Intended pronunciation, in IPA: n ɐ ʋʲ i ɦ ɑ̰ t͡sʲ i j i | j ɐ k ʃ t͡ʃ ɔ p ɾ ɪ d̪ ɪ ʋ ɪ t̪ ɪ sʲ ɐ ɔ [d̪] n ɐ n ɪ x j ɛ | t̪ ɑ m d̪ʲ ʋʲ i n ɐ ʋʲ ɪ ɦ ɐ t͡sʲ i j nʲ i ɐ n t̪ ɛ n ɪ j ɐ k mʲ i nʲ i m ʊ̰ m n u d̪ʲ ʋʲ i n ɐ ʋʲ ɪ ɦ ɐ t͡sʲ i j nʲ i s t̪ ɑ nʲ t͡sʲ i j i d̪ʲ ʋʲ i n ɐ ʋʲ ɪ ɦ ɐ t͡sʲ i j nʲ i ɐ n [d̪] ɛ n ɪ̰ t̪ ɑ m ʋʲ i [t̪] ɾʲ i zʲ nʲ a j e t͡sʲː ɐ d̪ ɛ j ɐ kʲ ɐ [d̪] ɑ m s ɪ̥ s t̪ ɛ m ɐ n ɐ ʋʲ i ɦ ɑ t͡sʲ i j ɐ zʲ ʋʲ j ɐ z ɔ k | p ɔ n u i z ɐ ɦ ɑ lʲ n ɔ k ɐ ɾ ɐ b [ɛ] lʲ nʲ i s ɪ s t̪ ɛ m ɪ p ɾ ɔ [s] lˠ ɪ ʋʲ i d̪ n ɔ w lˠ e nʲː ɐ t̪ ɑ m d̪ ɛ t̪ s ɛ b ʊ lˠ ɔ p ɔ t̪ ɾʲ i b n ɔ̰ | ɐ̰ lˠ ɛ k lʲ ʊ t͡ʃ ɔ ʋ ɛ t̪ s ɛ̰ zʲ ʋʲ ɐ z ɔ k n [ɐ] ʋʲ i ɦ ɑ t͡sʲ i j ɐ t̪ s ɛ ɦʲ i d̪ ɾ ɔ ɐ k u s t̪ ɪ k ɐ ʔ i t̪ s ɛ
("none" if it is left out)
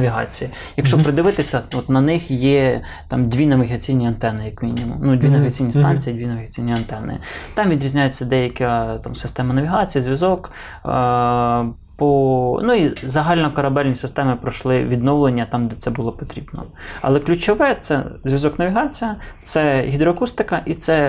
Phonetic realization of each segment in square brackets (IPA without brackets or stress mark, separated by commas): t̪, t̪, d̪, t̪, ɛ, ʃ, ɐ